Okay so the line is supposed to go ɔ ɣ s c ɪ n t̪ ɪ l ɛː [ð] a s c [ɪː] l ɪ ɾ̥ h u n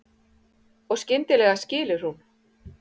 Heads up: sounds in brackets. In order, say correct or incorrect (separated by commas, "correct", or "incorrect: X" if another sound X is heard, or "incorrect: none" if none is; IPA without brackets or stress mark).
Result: incorrect: ɣ, correct